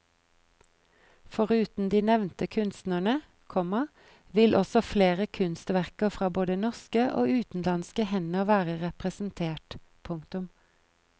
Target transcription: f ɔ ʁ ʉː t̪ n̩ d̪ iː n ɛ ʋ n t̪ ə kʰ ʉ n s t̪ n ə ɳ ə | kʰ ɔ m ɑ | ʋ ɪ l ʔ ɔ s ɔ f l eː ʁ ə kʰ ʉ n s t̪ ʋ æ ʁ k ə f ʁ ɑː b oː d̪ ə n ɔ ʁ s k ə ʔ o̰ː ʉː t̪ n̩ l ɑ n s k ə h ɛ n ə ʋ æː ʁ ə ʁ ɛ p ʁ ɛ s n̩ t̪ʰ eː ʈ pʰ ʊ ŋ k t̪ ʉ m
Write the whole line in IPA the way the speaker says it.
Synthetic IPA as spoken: f ɔ ʁ ʉː t̪ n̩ d̪ iː n ɛ ʋ n t̪ ə kʰ ʉ n s t̪ n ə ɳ ə | kʰ ɔ m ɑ | ʋ ɪ l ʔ ɔ s ɔ f l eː ʁ ə kʰ ʉ n s t̪ ʋ æ ʁ k ə f ʁ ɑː b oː d̪ ə n ɔ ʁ s k ə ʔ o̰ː ʉː t̪ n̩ l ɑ n s k ə h ɛ n ə ʋ æː ʁ ə ʁ ɛ p ʁ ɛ s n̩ t̪ʰ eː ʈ pʰ ʊ ŋ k t̪ ʉ m

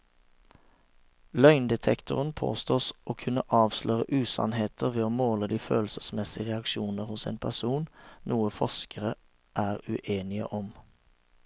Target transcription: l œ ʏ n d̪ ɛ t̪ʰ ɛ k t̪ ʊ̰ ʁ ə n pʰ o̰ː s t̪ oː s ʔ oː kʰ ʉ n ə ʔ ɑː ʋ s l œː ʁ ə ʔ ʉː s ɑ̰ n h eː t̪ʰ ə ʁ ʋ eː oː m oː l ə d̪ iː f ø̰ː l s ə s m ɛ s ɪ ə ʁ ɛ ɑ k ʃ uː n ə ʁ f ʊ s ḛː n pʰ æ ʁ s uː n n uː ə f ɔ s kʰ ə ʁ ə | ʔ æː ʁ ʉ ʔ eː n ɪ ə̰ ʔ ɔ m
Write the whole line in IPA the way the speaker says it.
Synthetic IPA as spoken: l œ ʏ n d̪ ɛ t̪ʰ ɛ k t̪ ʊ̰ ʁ ə n pʰ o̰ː s t̪ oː s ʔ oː kʰ ʉ n ə ʔ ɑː ʋ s l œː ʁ ə ʔ ʉː s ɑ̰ n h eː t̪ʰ ə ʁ ʋ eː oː m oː l ə d̪ iː f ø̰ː l s ə s m ɛ s ɪ ə ʁ ɛ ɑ k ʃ uː n ə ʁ h ʊ s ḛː n pʰ æ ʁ s uː n n uː ə f ɔ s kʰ ə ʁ ə | ʔ æː ʁ ʉ ʔ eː n ɪ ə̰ ʔ ɔ m

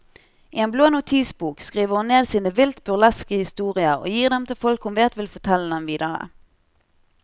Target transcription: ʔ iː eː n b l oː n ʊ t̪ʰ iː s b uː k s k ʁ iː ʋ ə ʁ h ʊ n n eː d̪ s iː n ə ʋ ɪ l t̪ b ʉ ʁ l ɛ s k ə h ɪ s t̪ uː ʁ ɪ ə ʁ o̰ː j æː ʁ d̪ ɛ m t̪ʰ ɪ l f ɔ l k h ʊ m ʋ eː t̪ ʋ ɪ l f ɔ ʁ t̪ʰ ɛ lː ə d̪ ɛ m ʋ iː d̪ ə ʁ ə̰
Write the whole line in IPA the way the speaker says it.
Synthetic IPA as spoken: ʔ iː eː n b l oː n ʊ t̪ʰ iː s b uː k s k ʁ iː ʋ ə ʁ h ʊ n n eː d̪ s iː n ə ʋ ɪ l t̪ b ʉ ʁ l ɛ s k ə h ɪ s t̪ uː ʁ ɪ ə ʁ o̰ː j iː ʁ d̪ ɛ m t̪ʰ ɪ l f ɔ l k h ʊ m ʋ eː t̪ ʋ ɪ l f ɔ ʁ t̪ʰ ɛ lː ə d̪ ɛ m ʋ iː d̪ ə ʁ ə̰

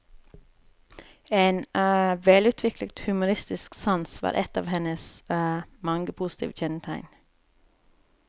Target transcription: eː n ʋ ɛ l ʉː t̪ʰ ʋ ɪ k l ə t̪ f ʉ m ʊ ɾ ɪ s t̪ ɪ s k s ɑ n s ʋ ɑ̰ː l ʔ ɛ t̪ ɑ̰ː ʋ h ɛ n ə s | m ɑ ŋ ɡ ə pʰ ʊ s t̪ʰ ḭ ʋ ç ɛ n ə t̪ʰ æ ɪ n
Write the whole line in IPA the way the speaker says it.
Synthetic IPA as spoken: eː n ʋ ɛ l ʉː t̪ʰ ʋ ɪ k l ə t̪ h ʉ m ʊ ɾ ɪ s t̪ ɪ s k s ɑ n s ʋ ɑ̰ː ɾ ʔ ɛ t̪ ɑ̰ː ʋ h ɛ n ə s | m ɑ ŋ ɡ ə pʰ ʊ s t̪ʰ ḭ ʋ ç ɛ n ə t̪ʰ æ ɪ n

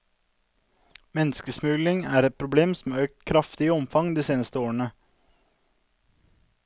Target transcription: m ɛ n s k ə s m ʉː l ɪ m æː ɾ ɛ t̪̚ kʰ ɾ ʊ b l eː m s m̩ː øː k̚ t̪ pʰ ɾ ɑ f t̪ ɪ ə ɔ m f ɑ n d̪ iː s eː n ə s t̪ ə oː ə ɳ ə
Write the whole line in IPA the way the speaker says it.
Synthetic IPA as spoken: m ɛ n s k ə s m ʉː l ɪ ŋ æː ɾ ɛ t̪̚ pʰ ɾ ʊ b l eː m s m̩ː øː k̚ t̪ kʰ ɾ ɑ f t̪ ɪ ə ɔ m f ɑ ŋ d̪ iː s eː n ə s t̪ ə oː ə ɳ ə

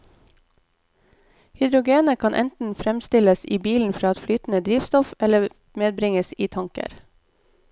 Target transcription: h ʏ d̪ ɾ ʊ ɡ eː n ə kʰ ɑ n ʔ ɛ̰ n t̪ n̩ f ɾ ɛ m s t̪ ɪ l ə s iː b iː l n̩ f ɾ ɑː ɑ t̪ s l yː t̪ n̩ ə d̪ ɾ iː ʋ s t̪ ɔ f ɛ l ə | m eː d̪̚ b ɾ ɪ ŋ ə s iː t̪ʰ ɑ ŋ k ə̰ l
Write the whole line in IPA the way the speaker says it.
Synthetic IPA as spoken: h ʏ d̪ ɾ ʊ ɡ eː n ə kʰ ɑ n ʔ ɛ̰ n t̪ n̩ f ɾ ɛ m s t̪ ɪ l ə s iː b iː l n̩ f ɾ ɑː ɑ t̪ f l yː t̪ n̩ ə d̪ ɾ iː ʋ s t̪ ɔ f ɛ l ə | m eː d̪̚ b ɾ ɪ ŋ ə s iː t̪ʰ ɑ ŋ k ə̰ ɾ

